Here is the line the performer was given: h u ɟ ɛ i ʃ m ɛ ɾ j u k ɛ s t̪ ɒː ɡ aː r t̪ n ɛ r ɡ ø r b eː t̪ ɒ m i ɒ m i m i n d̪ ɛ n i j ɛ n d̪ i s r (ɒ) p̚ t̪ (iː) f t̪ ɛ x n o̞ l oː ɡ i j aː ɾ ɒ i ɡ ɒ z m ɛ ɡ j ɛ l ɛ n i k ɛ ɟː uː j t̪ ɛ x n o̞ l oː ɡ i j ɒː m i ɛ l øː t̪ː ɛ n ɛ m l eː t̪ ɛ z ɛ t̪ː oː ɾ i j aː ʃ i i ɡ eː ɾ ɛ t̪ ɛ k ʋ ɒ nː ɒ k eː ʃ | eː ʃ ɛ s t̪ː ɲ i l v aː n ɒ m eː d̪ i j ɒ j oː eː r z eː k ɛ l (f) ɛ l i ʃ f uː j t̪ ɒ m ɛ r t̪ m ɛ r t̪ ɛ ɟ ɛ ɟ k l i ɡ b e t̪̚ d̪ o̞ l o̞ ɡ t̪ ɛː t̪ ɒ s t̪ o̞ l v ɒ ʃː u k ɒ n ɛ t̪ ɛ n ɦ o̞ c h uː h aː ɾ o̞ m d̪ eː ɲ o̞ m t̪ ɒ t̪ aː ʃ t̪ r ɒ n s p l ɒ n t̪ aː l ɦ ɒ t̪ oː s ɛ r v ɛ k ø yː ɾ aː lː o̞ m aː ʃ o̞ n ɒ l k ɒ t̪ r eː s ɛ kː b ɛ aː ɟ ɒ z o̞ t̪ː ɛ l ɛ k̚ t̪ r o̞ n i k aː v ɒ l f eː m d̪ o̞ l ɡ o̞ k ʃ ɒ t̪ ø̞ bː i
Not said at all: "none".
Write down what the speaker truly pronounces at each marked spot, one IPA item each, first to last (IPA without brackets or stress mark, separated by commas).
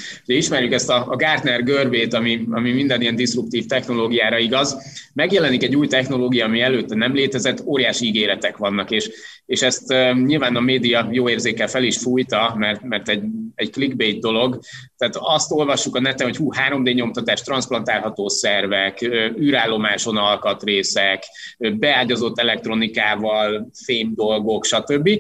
u, iː, f